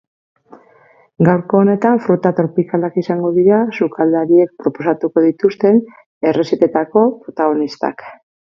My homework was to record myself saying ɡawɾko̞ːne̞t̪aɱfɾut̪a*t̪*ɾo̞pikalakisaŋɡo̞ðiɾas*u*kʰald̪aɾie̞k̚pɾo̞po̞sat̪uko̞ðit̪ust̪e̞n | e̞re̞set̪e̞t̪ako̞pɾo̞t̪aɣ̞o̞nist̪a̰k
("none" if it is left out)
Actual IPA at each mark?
t̪, u

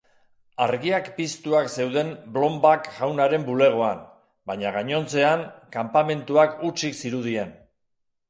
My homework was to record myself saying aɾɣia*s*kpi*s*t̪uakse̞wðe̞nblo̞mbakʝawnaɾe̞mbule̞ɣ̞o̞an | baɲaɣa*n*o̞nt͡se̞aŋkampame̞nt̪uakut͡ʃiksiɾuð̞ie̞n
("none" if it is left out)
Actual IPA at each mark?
none, s, ɲ

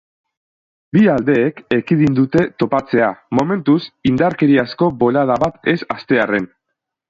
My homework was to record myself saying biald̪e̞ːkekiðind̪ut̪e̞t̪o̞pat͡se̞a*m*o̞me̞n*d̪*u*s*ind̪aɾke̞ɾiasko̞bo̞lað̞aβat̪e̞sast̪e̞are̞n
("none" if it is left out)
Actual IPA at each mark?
m, t̪, s

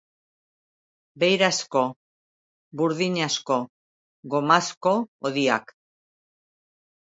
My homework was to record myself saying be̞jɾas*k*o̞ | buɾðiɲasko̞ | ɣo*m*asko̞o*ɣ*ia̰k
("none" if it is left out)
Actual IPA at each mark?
k, m, ð

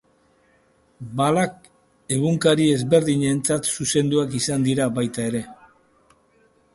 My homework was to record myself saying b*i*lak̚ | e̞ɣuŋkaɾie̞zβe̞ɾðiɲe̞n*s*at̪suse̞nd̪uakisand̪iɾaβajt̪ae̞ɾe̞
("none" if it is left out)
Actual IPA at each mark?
a, t͡s

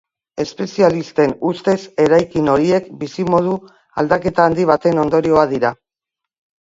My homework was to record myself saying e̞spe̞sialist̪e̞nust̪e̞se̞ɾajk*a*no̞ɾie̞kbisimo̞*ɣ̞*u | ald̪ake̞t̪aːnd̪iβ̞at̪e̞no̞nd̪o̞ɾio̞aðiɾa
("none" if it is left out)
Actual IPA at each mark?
i, ð̞

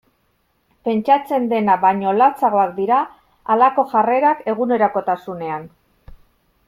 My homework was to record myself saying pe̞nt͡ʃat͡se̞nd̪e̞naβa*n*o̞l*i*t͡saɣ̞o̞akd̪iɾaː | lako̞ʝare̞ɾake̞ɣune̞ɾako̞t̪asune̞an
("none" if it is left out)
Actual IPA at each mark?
ɲ, a

